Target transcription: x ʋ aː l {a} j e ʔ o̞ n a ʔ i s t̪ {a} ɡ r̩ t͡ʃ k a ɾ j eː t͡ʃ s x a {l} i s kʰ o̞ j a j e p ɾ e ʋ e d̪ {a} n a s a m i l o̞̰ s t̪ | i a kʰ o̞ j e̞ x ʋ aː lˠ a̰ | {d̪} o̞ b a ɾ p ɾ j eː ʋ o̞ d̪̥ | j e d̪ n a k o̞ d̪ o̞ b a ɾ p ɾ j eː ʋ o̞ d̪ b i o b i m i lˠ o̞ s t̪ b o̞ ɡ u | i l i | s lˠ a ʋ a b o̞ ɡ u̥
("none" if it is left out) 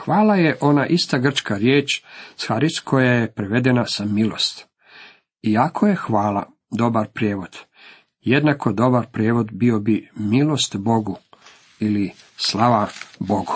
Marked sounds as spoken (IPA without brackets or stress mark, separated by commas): a, a, ɾ, e, d̪